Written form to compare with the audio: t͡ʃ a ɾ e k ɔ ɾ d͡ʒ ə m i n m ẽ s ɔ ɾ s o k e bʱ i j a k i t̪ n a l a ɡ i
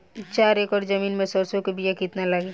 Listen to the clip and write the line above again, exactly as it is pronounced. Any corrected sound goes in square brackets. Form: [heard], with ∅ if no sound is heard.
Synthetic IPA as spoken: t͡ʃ a ɾ e k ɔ ɾ d͡ʒ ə m i n m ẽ s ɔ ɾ s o k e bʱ i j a k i t̪ n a l a ɡ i

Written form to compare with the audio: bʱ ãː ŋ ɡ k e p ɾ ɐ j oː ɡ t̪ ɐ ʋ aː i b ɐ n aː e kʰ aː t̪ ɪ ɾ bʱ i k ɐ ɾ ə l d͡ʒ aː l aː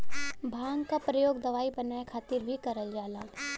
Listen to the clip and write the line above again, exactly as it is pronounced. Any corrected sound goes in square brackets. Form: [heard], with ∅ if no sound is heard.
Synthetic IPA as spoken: bʱ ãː ŋ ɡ k [a] p ɾ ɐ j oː ɡ [d̪] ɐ ʋ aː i b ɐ n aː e kʰ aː t̪ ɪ ɾ bʱ i k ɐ ɾ ə l d͡ʒ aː l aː

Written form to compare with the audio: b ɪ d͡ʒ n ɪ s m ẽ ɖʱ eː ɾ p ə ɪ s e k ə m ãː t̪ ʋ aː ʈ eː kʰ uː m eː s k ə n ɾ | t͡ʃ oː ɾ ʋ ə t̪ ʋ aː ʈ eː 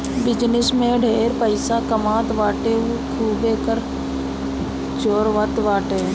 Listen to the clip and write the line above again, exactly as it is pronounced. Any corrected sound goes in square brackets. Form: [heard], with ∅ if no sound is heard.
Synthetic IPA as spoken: b ɪ d͡ʒ n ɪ s m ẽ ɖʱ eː ɾ p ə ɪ s [a] k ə m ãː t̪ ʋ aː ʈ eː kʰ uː [b] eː [∅] k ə [∅] ɾ | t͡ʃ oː ɾ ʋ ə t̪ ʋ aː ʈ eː

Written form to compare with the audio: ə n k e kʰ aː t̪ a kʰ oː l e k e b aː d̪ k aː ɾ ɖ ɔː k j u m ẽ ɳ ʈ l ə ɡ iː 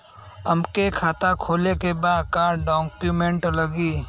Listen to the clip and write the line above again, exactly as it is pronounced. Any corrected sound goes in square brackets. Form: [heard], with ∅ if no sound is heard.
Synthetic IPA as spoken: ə [m] k e kʰ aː t̪ a kʰ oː l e k e b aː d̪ k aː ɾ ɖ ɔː k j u m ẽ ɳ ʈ l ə ɡ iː

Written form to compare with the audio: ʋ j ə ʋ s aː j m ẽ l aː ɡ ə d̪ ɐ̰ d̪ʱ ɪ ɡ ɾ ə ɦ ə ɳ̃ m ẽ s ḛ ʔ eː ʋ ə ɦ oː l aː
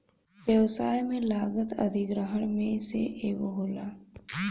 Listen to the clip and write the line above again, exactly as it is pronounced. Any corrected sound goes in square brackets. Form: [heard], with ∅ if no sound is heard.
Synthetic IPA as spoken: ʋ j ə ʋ s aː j m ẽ l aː ɡ ə [t̪] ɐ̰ d̪ʱ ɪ ɡ ɾ ə ɦ ə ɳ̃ m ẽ s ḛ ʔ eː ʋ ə ɦ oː l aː

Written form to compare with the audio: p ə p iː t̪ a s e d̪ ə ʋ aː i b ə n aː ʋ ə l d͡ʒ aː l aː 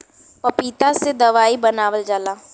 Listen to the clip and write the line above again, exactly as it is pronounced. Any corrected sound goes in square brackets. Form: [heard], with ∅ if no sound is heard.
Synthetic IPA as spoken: p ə p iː t̪ a s e d̪ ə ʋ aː i b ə n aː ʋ ə l d͡ʒ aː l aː

